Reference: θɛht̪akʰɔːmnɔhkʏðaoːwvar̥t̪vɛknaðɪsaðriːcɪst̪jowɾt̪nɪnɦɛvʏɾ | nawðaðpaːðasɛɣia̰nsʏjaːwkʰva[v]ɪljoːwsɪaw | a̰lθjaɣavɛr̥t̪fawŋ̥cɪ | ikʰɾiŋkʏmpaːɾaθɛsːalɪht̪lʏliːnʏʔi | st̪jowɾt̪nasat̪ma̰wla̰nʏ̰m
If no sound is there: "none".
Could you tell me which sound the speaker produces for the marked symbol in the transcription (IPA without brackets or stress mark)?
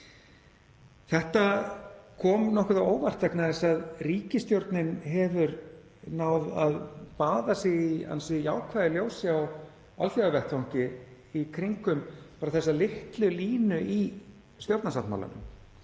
ð